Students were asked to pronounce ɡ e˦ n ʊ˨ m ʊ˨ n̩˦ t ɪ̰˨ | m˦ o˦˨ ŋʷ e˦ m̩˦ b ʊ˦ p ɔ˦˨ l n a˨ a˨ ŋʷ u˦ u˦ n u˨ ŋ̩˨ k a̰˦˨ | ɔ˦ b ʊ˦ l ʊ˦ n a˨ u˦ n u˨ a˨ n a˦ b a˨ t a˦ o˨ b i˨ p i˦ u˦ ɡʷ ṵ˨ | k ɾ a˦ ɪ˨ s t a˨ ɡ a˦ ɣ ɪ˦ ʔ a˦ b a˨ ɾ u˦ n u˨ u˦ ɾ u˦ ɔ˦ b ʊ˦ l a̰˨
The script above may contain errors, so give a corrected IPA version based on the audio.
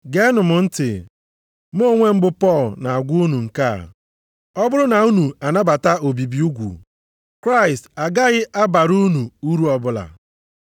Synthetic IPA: ɡ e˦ n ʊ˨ m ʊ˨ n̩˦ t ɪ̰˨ | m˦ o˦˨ ŋʷ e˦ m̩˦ b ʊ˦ p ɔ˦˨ l n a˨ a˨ ɡʷ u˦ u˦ n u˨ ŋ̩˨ k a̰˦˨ | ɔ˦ b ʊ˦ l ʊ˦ n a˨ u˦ n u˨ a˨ n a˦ b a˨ t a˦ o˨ b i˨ b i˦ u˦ ɡʷ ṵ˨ | k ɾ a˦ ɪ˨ s t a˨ ɡ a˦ ɣ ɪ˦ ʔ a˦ b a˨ ɾ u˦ n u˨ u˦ ɾ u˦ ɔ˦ b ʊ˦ l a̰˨